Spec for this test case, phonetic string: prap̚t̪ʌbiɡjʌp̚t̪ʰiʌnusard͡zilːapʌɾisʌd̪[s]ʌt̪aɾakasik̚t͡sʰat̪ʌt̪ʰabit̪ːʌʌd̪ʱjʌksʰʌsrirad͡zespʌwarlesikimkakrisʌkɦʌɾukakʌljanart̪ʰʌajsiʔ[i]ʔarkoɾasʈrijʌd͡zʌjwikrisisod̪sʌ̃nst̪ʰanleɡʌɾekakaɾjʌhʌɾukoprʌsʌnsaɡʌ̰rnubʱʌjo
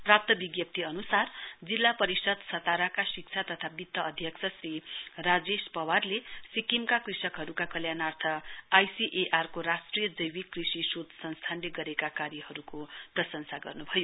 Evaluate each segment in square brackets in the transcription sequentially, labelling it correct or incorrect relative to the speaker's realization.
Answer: correct, incorrect: e

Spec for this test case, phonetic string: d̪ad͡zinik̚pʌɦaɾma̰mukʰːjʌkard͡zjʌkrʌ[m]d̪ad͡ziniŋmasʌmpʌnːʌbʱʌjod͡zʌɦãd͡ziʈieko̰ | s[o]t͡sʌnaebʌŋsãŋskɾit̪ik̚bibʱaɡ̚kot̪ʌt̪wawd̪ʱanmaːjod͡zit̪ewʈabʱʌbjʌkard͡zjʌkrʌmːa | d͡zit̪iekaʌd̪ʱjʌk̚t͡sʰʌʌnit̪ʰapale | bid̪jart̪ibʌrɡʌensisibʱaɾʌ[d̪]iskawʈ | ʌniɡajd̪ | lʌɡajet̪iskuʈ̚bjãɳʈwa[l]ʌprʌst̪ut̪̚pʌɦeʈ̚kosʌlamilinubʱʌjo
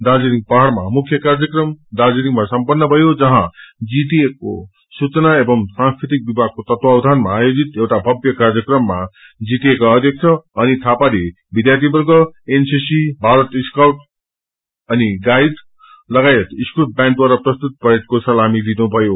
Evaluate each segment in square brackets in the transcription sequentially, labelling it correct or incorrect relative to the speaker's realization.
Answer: correct, incorrect: u, incorrect: t̪, incorrect: ɾ

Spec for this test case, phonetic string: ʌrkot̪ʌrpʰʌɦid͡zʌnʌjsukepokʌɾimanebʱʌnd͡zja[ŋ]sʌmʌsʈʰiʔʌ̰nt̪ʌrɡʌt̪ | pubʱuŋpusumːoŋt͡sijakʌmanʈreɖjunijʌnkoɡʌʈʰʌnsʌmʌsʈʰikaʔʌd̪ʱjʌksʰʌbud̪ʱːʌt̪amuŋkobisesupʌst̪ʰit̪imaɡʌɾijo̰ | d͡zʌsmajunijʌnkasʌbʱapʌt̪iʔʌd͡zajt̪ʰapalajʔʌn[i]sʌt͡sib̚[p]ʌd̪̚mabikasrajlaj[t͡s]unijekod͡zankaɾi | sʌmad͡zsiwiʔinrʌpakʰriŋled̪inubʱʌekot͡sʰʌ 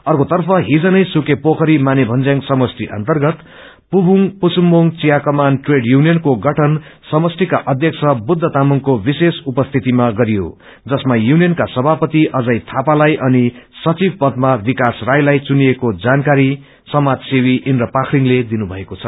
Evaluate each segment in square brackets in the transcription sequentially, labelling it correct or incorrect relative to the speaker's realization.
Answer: correct, correct, correct, correct

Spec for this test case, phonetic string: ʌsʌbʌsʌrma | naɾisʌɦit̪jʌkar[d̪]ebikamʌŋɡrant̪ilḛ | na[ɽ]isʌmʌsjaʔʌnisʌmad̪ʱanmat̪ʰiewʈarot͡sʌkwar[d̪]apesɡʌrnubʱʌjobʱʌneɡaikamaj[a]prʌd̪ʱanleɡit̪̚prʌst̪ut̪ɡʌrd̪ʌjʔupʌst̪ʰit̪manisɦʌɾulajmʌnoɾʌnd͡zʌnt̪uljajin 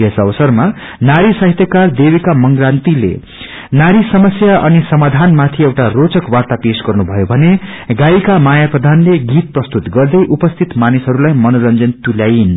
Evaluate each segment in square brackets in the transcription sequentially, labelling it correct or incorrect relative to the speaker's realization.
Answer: correct, incorrect: ɾ, incorrect: t̪, correct

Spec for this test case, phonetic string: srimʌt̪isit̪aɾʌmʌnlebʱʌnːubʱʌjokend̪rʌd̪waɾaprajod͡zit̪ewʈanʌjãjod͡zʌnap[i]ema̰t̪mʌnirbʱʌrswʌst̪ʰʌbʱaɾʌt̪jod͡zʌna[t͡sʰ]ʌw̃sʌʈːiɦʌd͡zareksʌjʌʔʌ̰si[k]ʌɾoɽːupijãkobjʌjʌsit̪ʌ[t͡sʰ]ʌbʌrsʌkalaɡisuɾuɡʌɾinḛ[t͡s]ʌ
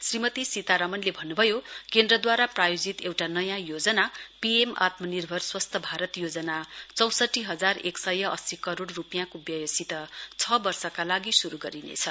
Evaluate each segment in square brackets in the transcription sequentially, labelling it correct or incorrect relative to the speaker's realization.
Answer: correct, incorrect: t͡s, correct, correct, incorrect: t͡sʰ

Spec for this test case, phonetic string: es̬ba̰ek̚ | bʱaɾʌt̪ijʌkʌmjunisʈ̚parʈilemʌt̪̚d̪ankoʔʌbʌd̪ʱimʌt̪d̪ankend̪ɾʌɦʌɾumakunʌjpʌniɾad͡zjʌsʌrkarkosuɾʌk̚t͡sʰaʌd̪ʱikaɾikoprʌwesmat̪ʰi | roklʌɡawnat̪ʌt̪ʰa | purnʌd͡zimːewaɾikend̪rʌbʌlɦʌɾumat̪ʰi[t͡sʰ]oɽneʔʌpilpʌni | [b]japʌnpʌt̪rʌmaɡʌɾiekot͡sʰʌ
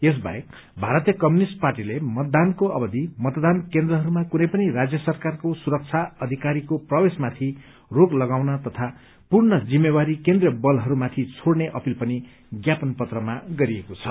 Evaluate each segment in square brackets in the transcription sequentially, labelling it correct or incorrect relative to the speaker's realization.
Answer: correct, incorrect: ɡ

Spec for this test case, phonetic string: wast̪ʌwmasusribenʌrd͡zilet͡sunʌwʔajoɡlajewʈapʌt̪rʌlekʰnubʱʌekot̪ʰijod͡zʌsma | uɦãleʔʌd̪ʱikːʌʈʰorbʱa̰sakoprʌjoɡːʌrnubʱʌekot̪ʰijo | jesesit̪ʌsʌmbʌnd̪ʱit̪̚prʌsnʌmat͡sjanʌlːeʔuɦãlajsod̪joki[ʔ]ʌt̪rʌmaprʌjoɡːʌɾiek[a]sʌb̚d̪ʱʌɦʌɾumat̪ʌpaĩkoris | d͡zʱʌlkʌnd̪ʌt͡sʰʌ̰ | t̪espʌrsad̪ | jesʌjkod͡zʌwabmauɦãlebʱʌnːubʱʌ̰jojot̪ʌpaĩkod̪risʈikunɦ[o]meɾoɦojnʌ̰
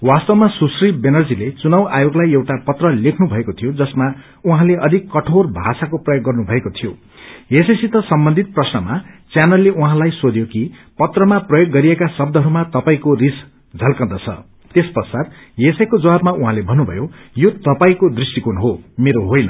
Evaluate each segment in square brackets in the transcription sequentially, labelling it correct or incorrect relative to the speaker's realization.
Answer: incorrect: p, correct, correct

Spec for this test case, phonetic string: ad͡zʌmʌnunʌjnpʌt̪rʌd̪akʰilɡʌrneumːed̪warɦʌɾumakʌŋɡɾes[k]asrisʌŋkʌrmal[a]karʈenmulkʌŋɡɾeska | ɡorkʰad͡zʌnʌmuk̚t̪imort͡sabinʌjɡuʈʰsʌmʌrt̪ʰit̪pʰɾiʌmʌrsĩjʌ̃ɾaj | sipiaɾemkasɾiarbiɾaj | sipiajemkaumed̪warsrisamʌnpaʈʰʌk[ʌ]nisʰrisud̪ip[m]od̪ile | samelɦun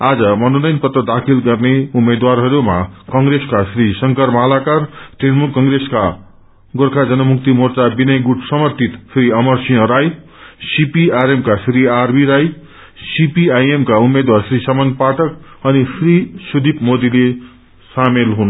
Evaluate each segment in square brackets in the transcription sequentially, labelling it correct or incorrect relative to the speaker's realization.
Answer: correct, correct, correct, correct

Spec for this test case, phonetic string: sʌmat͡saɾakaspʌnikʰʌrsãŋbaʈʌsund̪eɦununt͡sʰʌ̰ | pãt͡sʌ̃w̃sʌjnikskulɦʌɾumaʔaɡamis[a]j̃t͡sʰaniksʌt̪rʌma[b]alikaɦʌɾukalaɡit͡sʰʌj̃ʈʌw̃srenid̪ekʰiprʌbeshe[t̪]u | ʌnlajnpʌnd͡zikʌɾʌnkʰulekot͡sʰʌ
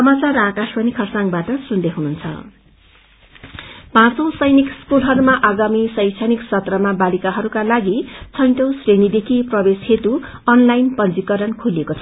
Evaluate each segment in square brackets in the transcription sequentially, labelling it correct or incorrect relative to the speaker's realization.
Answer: incorrect: ʌ, correct, correct

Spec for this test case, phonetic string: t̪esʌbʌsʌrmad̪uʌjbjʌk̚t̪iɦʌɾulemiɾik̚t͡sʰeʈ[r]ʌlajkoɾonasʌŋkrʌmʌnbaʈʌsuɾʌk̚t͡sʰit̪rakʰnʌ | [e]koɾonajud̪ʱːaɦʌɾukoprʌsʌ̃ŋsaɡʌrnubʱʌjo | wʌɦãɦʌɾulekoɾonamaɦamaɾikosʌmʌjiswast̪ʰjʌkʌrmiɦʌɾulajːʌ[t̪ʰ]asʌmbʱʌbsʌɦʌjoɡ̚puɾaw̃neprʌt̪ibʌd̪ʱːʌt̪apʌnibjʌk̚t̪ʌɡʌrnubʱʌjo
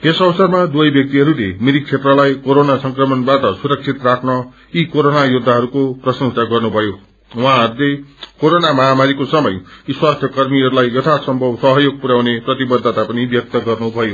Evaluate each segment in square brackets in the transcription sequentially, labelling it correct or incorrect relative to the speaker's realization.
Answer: correct, incorrect: i, correct

